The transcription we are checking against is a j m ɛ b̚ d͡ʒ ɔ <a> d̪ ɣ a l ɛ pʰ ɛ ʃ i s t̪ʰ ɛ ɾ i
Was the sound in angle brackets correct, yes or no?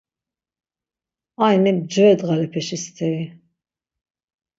no